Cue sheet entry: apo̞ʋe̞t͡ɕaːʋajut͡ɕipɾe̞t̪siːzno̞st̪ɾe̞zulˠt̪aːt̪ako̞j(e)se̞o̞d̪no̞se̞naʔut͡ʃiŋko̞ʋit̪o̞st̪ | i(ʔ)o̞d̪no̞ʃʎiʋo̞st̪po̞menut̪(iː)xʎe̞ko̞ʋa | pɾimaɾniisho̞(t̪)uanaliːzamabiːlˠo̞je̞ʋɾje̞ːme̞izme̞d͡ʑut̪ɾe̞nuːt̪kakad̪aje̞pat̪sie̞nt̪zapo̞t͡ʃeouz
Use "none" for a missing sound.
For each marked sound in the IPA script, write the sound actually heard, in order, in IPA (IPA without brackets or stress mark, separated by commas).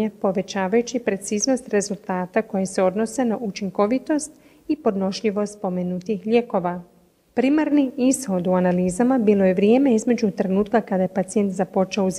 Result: e, p, i, d̪